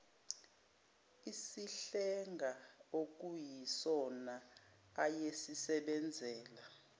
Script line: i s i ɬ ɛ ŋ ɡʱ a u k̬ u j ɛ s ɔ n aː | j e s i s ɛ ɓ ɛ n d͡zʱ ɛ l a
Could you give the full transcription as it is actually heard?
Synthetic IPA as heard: i s i ɬ ɛ ŋ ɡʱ a o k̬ u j i s ɔ n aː | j e s i s ɛ ɓ ɛ n d͡zʱ ɛː l a